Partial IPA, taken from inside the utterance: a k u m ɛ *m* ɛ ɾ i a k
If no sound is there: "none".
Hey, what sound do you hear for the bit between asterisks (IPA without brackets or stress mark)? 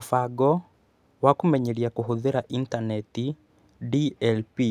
ɲ